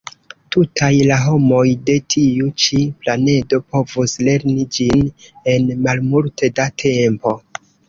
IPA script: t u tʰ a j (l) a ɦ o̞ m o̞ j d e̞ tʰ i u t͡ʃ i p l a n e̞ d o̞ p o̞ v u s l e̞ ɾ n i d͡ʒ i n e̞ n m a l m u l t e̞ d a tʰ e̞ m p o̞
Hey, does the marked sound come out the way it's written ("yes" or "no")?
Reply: yes